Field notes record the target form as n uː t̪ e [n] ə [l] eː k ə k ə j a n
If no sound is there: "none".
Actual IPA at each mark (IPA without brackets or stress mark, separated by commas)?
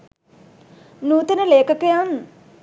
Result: n, l